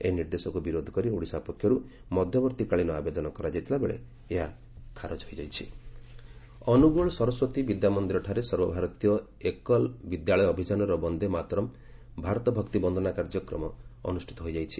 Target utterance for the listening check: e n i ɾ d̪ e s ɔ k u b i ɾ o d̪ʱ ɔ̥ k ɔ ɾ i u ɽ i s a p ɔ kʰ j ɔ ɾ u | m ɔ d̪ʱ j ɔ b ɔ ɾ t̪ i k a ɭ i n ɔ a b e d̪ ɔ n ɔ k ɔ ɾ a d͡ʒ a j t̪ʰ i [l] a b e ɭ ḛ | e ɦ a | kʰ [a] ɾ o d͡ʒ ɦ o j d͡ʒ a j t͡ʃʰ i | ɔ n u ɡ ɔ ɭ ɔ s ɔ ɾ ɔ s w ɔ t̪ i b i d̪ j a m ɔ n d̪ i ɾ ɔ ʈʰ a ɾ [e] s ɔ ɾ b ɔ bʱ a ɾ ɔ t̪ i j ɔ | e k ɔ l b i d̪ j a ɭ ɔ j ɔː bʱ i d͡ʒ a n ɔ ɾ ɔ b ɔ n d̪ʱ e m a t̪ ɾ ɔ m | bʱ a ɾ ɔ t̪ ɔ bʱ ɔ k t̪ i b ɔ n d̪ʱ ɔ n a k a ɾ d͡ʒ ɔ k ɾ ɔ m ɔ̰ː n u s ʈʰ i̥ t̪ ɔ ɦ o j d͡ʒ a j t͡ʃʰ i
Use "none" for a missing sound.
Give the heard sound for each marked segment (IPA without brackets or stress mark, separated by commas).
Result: l, a, e